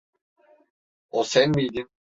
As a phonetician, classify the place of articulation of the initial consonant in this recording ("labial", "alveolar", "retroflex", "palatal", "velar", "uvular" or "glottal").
alveolar